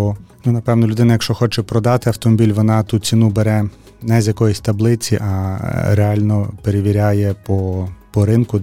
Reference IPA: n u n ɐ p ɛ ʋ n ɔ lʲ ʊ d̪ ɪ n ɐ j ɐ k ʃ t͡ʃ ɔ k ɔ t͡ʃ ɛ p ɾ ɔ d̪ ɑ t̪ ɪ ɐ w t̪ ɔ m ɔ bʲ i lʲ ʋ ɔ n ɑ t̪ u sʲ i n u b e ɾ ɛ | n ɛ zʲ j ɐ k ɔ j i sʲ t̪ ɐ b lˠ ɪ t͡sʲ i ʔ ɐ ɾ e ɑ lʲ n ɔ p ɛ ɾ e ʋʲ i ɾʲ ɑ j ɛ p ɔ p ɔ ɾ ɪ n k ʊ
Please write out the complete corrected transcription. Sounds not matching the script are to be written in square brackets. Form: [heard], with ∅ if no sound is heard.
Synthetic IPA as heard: n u n ɐ p ɛ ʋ n ɔ lʲ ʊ d̪ ɪ n ɐ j ɐ k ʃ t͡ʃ ɔ [x] ɔ t͡ʃ ɛ p ɾ ɔ d̪ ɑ t̪ ɪ ɐ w t̪ ɔ m ɔ bʲ i lʲ ʋ ɔ n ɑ t̪ u [t͡sʲ] i n u b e ɾ ɛ | n ɛ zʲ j ɐ k ɔ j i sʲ t̪ ɐ b lˠ ɪ t͡sʲ i ʔ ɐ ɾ e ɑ lʲ n ɔ p [e] ɾ e ʋʲ i ɾʲ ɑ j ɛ p ɔ p ɔ ɾ ɪ n k ʊ